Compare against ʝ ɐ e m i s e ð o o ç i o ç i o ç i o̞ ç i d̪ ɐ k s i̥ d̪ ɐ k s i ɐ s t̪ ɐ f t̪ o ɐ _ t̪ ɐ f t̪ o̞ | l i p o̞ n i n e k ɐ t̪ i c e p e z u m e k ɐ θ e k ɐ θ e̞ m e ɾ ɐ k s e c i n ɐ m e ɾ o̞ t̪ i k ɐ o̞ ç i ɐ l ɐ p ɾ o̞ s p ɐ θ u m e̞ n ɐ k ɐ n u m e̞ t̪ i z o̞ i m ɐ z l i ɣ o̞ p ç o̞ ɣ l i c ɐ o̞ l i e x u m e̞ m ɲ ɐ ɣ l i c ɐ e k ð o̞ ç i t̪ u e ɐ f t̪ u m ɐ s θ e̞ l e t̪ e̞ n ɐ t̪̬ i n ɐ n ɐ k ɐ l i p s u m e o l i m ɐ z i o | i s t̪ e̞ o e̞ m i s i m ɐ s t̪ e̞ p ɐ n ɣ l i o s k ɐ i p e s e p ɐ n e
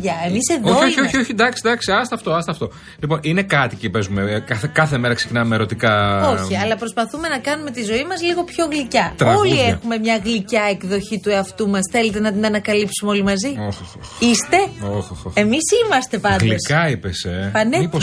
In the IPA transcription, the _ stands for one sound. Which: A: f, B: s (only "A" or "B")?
B